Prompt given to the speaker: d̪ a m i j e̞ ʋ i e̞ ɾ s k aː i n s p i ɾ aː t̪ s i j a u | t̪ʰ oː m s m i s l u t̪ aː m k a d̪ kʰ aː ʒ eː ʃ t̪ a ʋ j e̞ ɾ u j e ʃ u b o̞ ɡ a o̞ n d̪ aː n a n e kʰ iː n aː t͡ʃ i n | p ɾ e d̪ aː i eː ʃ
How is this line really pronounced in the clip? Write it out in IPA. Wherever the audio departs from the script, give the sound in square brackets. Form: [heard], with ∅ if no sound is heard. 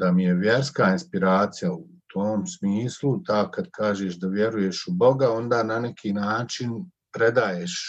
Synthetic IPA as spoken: d̪ a m i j e̞ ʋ [j] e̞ ɾ s k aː i n s p i ɾ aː t̪ s i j a u | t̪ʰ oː m s m [iː] s l u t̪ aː [∅] k a d̪ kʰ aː ʒ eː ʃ [d̪] a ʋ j e̞ ɾ u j e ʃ u b o̞ ɡ a o̞ n d̪ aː n a n e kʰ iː n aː t͡ʃ i n | p ɾ e d̪ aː [j] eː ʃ